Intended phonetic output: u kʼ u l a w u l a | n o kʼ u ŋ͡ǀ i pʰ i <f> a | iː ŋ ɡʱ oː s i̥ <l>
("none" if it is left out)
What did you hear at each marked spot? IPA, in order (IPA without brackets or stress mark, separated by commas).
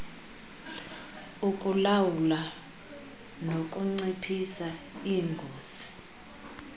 s, none